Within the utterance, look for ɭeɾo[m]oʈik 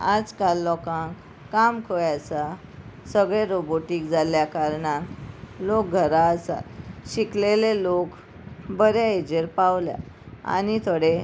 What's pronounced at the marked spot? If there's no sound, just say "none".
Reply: b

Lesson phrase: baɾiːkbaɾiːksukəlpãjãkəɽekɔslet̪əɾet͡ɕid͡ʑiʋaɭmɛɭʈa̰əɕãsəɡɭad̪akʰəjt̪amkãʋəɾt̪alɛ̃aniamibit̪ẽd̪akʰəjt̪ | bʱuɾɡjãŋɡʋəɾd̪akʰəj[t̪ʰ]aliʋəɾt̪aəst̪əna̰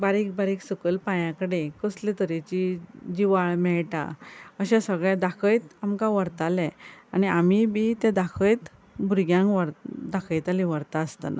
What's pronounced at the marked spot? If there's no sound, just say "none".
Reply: t̪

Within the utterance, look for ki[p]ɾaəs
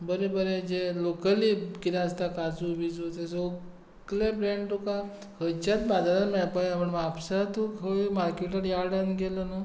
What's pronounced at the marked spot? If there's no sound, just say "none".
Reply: none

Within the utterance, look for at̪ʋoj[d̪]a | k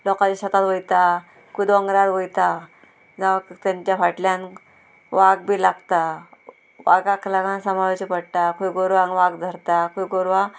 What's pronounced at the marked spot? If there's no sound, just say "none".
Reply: t̪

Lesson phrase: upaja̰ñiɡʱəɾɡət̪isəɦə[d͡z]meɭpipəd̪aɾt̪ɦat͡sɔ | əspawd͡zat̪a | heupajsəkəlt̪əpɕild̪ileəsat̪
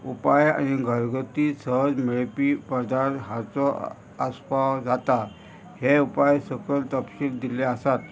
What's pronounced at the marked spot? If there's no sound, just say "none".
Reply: d͡z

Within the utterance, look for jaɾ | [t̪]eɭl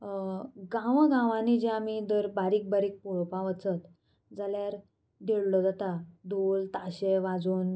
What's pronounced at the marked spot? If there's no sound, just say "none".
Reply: d̪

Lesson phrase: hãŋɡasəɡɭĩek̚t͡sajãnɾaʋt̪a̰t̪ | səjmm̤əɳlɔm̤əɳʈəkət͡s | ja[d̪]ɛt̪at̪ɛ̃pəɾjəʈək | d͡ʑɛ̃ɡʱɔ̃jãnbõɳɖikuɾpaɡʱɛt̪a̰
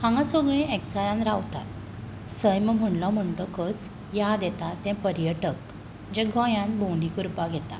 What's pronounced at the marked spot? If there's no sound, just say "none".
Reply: d̪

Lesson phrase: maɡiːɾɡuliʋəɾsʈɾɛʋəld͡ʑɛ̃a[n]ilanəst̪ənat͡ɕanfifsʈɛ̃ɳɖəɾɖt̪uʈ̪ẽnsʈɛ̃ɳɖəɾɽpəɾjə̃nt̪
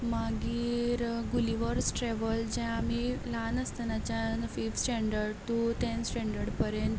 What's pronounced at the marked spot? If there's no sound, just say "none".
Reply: m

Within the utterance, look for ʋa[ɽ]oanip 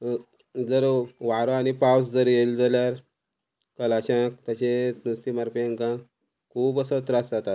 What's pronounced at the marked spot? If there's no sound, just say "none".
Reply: ɾ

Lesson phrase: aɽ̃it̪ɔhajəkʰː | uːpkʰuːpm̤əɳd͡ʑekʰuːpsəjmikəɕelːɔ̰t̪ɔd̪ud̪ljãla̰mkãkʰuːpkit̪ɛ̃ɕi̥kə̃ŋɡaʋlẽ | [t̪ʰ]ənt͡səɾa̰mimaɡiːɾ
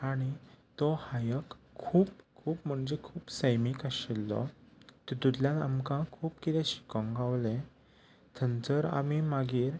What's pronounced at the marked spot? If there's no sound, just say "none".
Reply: t̪ʰ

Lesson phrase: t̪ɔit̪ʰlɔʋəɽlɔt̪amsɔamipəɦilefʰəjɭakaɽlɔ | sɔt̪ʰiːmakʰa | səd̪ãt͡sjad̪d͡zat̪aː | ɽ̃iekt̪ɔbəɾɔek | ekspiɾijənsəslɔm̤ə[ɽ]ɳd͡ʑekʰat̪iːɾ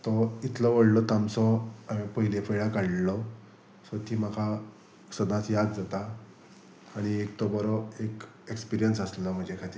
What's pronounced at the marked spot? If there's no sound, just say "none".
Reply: none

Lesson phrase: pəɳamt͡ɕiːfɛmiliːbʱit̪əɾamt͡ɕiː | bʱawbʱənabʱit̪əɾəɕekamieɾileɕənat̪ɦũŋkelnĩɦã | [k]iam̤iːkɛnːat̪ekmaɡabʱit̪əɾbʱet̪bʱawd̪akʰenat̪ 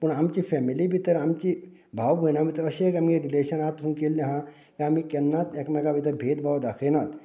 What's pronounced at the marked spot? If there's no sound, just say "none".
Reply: k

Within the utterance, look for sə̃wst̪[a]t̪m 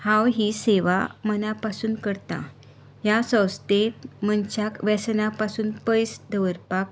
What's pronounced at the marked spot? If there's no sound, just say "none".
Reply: e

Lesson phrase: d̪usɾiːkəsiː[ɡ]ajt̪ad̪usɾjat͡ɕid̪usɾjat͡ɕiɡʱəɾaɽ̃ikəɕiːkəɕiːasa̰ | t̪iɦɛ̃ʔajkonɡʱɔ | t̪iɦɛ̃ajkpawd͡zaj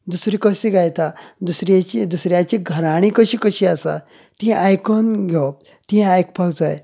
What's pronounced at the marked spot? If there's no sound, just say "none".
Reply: ɡ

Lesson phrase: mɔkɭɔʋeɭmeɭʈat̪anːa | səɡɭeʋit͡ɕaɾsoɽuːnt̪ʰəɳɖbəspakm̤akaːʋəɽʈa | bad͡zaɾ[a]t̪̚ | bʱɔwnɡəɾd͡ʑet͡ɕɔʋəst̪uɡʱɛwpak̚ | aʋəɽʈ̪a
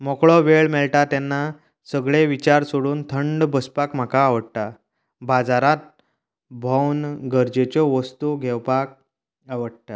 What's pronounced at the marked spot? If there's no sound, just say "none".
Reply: a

